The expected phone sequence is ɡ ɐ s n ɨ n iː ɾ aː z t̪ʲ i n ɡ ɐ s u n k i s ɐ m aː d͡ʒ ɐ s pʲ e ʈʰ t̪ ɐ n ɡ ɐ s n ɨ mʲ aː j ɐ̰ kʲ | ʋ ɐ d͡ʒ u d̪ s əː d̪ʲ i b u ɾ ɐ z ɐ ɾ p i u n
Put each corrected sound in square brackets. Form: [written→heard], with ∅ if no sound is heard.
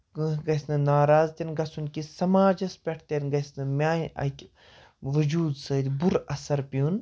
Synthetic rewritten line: ɡ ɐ s n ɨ n [iː→aː] ɾ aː z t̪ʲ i n ɡ ɐ s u n k i s ɐ m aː d͡ʒ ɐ s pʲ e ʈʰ t̪ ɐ n ɡ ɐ s n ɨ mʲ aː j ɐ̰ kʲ | ʋ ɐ d͡ʒ [u→uː] d̪ s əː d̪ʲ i b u ɾ ɐ [z→s] ɐ ɾ p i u n